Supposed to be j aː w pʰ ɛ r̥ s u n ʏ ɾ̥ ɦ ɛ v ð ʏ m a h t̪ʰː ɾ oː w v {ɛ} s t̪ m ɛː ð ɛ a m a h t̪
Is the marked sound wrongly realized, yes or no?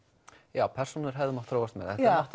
yes